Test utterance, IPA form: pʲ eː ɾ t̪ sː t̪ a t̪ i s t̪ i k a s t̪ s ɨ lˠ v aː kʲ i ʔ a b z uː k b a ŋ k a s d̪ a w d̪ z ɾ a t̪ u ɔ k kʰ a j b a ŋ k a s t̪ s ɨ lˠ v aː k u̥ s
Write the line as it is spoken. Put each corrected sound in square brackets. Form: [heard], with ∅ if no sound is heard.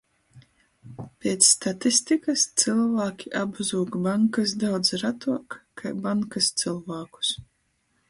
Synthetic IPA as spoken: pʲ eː [∅] t̪ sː t̪ a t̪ i s t̪ i k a s t̪ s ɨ lˠ v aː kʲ i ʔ a b z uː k b a ŋ k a s d̪ a w d̪ z ɾ a t̪ u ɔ k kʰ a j b a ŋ k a s t̪ s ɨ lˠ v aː k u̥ s